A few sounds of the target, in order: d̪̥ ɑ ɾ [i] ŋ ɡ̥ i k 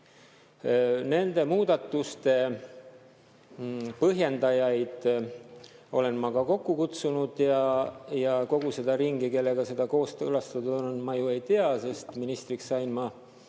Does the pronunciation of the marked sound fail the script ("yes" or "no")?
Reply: no